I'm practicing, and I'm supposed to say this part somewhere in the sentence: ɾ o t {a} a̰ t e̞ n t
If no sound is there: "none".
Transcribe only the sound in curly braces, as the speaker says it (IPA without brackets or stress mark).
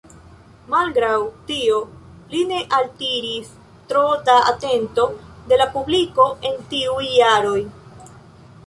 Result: a